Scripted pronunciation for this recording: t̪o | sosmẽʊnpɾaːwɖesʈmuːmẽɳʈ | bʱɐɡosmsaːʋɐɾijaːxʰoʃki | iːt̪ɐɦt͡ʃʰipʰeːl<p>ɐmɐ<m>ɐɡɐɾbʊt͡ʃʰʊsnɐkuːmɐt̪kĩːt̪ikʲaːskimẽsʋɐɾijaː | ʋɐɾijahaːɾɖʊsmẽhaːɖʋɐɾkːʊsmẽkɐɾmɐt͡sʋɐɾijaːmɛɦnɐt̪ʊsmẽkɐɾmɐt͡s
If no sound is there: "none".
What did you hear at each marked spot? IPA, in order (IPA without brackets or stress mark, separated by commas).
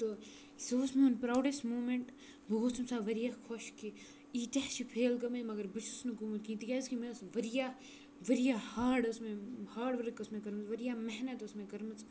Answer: k, m